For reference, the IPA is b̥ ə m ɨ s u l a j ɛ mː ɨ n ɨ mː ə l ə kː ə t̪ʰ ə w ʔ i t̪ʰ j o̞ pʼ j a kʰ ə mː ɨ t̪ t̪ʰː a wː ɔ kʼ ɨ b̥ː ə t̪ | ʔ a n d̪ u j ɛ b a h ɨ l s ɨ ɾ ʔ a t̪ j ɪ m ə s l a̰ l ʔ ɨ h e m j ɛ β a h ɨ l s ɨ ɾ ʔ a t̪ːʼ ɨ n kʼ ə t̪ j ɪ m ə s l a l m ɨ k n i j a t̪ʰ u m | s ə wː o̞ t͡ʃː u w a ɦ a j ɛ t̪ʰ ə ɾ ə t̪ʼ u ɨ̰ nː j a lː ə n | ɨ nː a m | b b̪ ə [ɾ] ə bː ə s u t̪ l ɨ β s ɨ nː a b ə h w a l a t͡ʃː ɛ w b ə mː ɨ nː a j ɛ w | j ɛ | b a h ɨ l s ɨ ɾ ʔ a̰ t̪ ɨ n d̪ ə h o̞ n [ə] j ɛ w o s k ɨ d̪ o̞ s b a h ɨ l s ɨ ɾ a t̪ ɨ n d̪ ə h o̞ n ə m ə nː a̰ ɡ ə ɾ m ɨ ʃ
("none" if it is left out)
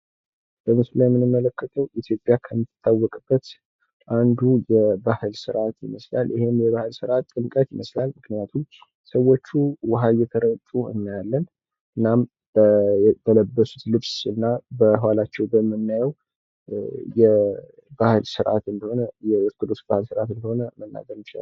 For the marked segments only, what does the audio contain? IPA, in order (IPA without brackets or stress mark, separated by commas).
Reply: l, ə